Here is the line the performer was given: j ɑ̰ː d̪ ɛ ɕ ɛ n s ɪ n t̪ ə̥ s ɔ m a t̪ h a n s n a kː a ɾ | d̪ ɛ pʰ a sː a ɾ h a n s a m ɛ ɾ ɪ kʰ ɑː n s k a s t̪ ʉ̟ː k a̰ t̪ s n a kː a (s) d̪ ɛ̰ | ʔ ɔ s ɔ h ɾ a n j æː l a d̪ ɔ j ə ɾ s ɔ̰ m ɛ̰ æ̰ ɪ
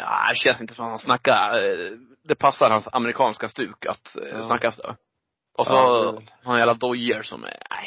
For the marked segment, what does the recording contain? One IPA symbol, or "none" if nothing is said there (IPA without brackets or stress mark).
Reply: s